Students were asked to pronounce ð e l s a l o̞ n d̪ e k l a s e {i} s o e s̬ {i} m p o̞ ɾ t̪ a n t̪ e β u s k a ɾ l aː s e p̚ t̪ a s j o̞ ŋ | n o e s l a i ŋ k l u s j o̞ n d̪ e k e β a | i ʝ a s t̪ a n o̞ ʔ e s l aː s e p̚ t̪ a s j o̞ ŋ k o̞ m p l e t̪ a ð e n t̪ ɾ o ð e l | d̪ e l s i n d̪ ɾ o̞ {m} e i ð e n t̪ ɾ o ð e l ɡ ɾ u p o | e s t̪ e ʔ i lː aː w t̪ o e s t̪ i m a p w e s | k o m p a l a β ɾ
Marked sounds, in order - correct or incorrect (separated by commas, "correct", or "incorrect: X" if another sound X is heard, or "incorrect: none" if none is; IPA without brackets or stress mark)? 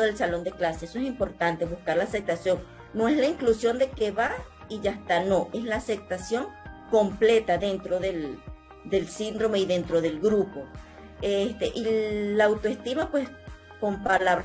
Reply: incorrect: e, correct, correct